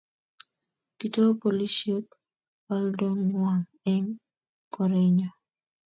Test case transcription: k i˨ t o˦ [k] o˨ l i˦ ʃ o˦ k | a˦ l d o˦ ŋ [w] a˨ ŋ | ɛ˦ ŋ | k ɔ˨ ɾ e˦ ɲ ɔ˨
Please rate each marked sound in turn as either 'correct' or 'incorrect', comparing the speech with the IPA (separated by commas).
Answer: incorrect, correct